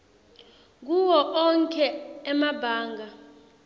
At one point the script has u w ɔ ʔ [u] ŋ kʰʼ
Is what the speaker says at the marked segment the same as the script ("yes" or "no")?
no